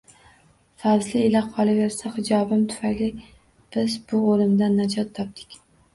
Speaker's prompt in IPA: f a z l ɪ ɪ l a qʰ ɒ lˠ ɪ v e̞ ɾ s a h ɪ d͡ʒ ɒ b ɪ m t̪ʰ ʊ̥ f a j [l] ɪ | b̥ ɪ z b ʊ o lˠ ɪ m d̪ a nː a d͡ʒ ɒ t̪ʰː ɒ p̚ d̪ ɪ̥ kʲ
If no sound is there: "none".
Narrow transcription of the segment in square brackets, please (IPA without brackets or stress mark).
l